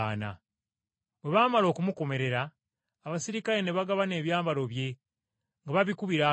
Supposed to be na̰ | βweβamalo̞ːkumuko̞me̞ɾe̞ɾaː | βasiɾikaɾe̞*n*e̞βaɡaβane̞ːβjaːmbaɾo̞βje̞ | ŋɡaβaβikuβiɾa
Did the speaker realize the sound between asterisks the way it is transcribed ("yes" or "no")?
yes